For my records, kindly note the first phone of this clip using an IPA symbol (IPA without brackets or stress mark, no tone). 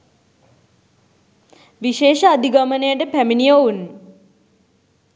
ʋ